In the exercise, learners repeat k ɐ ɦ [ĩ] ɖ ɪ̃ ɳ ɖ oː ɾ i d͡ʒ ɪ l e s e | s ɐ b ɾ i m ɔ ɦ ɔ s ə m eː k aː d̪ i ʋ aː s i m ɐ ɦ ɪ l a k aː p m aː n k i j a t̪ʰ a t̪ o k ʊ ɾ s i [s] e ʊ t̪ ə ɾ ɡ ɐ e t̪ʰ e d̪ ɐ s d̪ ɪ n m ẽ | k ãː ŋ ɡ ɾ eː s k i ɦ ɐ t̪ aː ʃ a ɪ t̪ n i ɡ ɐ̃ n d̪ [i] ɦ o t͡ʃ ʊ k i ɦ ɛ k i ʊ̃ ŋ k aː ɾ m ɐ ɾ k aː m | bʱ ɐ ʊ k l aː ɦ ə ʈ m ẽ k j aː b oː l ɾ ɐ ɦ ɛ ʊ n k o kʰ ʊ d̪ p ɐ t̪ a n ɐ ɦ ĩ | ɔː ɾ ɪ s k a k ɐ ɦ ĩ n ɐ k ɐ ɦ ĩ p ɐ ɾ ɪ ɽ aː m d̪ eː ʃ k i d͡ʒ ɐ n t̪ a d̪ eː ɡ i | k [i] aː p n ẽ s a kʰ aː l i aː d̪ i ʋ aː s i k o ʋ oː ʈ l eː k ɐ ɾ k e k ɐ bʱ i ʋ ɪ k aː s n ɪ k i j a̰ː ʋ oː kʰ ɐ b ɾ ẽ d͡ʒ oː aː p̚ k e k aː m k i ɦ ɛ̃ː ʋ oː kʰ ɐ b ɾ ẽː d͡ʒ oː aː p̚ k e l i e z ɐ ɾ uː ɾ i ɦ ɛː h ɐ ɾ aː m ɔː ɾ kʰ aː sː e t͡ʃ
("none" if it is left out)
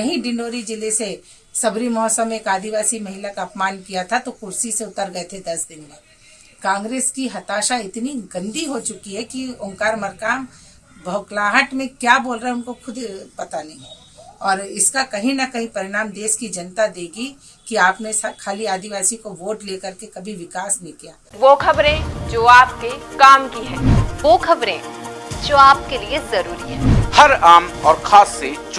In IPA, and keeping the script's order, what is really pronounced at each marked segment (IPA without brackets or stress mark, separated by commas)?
ĩ, s, i, i